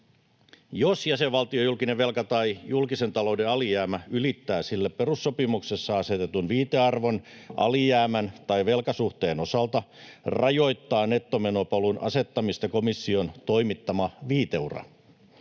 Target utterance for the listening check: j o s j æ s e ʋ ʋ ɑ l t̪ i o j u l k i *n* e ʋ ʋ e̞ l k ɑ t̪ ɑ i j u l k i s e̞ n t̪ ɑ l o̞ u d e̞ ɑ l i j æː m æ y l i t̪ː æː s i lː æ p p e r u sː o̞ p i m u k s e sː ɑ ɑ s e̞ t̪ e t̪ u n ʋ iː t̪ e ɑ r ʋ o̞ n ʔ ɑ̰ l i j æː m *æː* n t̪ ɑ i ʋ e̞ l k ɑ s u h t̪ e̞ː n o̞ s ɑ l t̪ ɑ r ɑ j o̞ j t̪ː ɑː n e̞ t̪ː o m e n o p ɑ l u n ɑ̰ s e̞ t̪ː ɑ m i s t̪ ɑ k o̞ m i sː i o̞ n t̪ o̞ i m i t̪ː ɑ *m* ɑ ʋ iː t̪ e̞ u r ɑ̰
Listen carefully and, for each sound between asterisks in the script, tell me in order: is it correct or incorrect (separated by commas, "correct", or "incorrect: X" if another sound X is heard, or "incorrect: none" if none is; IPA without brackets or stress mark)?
correct, incorrect: æ, correct